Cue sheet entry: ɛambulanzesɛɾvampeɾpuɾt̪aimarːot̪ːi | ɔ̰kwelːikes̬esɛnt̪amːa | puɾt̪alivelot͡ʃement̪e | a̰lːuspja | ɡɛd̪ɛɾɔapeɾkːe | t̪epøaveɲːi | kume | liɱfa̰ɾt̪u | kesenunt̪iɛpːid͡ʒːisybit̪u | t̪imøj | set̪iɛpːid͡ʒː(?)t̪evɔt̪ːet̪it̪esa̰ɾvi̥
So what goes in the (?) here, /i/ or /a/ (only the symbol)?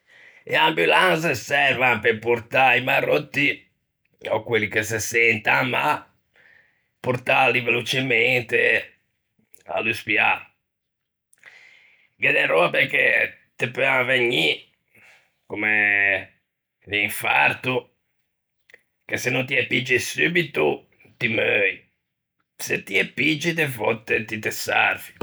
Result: i